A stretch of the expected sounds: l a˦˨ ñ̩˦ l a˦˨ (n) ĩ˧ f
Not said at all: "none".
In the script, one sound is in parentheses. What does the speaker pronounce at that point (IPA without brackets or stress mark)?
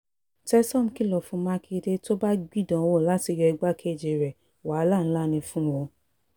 n